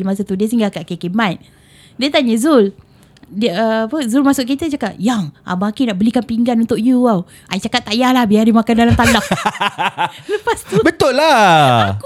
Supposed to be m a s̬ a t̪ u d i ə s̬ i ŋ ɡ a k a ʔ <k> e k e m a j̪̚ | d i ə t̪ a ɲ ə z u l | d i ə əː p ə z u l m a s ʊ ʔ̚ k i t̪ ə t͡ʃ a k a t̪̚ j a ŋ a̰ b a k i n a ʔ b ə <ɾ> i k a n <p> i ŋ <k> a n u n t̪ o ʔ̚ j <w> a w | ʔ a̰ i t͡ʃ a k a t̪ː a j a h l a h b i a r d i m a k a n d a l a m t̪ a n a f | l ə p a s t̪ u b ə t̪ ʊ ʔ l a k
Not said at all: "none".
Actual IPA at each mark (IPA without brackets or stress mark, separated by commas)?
k, l, p, ɡ, u